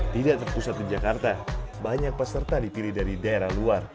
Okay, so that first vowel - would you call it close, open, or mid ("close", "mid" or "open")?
close